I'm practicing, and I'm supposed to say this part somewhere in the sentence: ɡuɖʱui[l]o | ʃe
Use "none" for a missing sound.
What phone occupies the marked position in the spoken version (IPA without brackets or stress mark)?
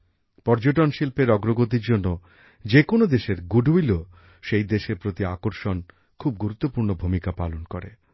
l